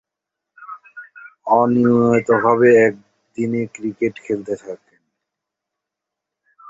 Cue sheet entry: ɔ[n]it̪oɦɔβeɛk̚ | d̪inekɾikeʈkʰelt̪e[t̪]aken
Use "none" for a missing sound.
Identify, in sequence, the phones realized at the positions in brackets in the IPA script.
n, t̪ʰ

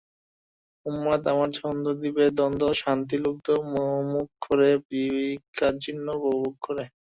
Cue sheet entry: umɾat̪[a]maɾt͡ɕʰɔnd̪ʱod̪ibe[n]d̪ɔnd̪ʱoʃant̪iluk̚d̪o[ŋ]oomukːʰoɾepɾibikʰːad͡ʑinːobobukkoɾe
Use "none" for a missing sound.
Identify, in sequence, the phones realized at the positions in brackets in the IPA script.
a, none, m

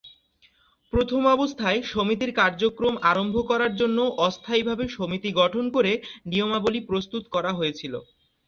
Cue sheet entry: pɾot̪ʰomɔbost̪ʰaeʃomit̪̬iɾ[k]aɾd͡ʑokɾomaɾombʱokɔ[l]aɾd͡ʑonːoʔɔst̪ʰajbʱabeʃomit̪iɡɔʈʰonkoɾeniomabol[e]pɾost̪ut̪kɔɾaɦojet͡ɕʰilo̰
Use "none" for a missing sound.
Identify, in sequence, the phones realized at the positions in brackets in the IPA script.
k, ɾ, i

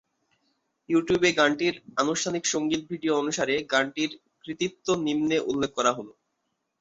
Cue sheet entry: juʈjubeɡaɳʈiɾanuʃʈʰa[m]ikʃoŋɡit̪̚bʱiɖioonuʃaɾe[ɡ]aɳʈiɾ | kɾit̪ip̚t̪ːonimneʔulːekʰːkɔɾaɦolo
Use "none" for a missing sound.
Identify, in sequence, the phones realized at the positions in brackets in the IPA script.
n, ɡ

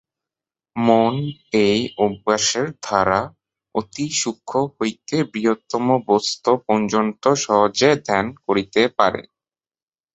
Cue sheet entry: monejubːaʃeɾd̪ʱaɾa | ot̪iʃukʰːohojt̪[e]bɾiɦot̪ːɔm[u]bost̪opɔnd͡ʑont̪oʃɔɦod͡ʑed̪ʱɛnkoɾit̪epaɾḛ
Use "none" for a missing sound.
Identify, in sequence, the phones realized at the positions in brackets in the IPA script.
e, o

